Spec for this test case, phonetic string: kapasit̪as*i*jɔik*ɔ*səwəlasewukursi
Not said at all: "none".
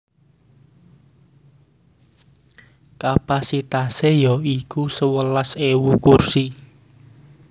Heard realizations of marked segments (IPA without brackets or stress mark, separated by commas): e, u